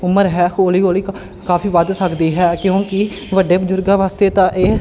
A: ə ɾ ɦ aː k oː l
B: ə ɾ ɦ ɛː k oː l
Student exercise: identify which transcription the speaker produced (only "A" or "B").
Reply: B